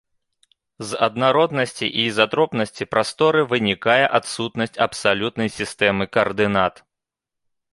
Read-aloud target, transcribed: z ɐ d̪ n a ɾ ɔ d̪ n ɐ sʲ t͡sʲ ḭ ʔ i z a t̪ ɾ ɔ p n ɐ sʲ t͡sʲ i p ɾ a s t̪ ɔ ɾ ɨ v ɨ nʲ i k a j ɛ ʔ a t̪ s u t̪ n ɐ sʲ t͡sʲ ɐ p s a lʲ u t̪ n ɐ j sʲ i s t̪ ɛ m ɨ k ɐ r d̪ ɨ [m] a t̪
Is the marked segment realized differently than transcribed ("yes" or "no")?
yes